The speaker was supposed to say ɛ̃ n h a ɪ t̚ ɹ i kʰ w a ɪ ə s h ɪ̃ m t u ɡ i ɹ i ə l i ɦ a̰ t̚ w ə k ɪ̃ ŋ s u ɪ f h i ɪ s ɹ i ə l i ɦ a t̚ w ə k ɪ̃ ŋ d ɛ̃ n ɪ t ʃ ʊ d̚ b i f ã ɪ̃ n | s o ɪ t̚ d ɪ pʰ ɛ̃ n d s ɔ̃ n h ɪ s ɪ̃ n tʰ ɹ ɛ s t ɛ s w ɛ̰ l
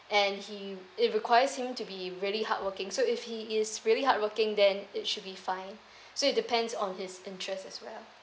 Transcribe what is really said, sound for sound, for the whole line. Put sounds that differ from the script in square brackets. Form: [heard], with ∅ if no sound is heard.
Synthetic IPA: ɛ̃ n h [i] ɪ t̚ ɹ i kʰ w a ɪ ə s h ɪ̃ m t u [b] i ɹ i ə l i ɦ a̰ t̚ w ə k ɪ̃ ŋ s [o] ɪ f h i ɪ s ɹ i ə l i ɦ a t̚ w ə k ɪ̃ ŋ d ɛ̃ n ɪ t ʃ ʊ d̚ b i f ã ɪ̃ n | s o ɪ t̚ d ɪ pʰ ɛ̃ n d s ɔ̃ n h ɪ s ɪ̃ n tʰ ɹ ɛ s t ɛ s w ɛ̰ l